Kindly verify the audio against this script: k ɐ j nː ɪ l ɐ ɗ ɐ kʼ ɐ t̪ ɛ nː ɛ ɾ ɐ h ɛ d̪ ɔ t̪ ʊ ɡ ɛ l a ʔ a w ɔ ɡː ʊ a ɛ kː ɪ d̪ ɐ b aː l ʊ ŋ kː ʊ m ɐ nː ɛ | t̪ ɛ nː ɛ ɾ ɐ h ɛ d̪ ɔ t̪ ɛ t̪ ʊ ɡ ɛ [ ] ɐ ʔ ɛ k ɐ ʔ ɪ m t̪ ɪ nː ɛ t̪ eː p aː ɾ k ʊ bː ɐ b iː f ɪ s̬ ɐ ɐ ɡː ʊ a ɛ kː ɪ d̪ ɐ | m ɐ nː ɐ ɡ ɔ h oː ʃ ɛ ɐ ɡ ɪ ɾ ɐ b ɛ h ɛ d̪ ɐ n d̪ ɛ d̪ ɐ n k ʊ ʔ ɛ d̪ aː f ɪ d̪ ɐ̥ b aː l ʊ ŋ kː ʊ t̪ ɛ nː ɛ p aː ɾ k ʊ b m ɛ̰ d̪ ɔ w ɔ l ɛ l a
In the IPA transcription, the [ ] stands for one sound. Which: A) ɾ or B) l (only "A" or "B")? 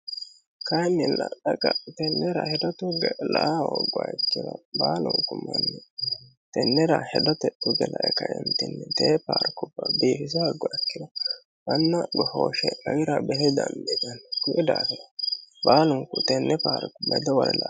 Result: B